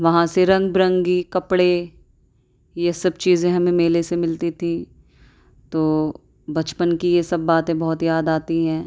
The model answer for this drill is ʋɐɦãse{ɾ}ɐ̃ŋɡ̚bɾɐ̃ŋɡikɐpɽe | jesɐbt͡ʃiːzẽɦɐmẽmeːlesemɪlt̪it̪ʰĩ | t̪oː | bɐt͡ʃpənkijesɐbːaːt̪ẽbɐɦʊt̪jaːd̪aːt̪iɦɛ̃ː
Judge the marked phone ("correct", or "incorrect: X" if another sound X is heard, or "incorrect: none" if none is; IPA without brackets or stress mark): correct